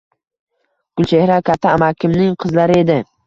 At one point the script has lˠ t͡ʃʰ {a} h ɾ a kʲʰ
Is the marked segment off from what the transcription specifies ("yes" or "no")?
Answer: yes